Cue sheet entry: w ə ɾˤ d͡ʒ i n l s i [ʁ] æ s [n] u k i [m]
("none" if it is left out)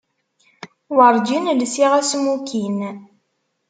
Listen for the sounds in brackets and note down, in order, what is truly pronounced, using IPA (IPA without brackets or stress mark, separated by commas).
ʁ, m, n